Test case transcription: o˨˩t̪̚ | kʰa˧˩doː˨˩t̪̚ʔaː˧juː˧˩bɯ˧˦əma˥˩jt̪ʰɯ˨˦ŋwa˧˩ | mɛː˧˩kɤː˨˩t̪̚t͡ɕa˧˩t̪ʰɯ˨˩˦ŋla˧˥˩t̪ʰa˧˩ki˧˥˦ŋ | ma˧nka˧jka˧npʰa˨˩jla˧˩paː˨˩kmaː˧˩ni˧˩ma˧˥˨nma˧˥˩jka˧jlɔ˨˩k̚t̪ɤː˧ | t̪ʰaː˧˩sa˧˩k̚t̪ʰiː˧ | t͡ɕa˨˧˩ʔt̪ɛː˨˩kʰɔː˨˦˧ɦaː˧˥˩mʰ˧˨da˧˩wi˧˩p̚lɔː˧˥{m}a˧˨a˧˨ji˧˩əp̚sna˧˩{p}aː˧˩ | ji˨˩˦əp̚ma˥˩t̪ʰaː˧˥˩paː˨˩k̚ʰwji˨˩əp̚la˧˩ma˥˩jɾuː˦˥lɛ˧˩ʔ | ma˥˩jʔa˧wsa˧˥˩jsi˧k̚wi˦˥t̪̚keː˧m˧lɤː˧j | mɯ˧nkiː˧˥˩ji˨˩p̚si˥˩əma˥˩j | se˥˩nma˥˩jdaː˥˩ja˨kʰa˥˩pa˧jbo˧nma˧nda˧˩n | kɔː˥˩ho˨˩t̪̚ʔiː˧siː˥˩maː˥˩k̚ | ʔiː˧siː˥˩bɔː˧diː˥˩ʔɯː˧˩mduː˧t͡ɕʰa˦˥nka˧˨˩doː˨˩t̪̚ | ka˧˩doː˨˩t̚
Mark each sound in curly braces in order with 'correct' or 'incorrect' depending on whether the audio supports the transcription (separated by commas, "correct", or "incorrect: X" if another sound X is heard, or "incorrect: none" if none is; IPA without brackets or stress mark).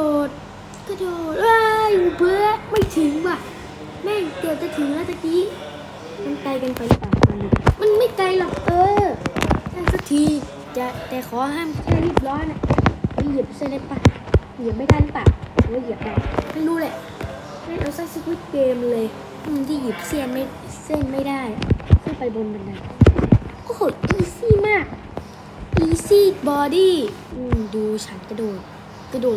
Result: incorrect: n, correct